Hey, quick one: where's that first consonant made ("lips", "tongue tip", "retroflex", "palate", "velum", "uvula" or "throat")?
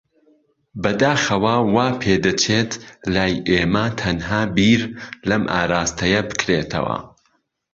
lips